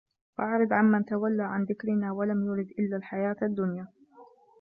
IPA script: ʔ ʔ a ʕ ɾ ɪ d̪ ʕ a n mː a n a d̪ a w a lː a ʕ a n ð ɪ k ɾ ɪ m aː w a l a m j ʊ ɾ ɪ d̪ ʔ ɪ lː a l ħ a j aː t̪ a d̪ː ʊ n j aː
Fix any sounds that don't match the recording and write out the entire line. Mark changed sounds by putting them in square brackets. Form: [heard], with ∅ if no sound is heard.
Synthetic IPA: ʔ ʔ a ʕ ɾ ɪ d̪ ʕ a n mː a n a [t̪] a w a lː a ʕ a n ð ɪ k ɾ ɪ [n] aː w a l a m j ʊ ɾ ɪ d̪ ʔ ɪ lː a l ħ a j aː t̪ a d̪ː ʊ n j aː